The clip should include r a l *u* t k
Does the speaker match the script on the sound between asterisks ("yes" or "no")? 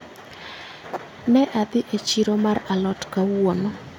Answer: no